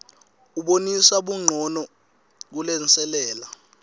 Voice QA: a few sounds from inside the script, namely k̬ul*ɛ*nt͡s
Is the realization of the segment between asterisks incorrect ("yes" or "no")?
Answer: no